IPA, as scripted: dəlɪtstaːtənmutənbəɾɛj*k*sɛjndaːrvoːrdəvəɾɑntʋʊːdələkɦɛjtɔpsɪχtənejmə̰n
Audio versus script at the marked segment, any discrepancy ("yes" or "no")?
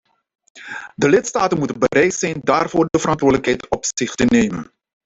yes